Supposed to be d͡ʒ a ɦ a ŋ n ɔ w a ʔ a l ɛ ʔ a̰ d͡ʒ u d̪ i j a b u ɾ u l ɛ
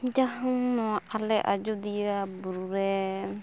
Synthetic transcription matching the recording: d͡ʒ a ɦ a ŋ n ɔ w a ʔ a l ɛ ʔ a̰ d͡ʒ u d̪ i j a b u ɾ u ɾ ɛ

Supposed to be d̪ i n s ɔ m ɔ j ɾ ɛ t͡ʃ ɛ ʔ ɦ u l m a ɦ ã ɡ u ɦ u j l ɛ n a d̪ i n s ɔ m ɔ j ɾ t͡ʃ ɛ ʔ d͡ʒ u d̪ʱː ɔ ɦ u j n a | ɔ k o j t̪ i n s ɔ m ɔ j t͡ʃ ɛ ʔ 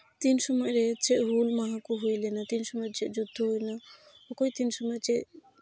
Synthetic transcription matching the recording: t̪ i n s ɔ m ɔ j ɾ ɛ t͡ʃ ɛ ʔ ɦ u l m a ɦ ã k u ɦ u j l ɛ n a t̪ i n s ɔ m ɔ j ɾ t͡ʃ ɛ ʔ d͡ʒ u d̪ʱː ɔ ɦ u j n a | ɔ k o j t̪ i n s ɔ m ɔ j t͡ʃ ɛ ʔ

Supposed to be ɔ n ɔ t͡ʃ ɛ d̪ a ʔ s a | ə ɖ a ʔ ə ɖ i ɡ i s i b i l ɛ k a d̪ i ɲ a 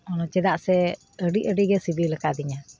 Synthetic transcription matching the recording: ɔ n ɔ t͡ʃ ɛ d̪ a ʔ s ɛ | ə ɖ i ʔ ə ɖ i ɡ ɛ s i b i l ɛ k a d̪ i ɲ a

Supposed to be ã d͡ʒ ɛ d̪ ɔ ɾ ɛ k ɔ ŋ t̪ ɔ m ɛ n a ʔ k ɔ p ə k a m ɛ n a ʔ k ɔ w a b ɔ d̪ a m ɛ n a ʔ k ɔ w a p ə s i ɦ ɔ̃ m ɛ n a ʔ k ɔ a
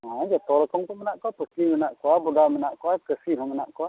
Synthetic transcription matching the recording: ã d͡ʒ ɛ t̪ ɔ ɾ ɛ k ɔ ŋ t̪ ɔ m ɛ n a ʔ k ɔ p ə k i m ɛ n a ʔ k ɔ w a b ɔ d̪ a m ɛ n a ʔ k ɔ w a k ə s i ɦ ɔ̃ m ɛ n a ʔ k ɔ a

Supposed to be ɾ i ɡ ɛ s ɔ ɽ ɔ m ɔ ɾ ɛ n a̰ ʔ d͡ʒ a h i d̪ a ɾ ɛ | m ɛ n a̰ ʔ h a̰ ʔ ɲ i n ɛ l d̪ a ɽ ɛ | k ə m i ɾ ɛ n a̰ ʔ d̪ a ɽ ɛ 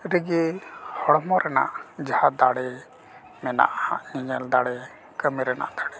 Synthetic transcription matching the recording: ɾ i ɡ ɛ h ɔ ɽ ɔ m ɔ ɾ ɛ n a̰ ʔ d͡ʒ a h a d̪ a ɽ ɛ | m ɛ n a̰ ʔ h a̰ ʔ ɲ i ɲ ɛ l d̪ a ɽ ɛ | k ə m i ɾ ɛ n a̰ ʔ d̪ a ɽ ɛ

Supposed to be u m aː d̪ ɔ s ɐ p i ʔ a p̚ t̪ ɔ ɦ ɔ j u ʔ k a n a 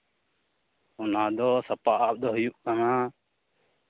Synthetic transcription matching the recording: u n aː d̪ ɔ s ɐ p a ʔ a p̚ d̪ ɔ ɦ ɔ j u ʔ k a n a

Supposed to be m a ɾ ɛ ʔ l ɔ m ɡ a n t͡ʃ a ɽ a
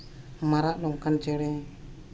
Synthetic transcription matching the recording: m a ɾ a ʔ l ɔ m k a n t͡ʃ ɛ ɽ ɛ

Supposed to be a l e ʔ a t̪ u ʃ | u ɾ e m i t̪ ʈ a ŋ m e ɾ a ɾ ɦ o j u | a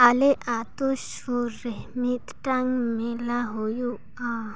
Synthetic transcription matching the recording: a l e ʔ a t̪ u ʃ | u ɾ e m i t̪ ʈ a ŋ m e l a ɦ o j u | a

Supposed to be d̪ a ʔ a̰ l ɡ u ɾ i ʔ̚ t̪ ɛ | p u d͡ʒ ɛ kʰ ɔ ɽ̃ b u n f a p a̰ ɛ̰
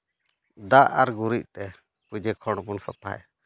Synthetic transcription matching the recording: d̪ a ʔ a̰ ɾ ɡ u ɾ i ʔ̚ t̪ ɛ | p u d͡ʒ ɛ kʰ ɔ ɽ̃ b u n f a p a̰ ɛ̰

